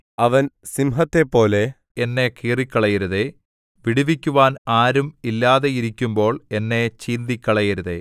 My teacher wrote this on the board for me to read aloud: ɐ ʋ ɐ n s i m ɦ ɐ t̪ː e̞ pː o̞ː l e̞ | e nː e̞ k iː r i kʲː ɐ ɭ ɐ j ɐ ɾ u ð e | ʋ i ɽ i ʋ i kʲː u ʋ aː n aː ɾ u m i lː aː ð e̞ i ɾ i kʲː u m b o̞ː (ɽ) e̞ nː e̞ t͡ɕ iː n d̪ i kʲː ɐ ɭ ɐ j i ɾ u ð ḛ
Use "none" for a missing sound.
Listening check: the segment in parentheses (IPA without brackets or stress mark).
ɭ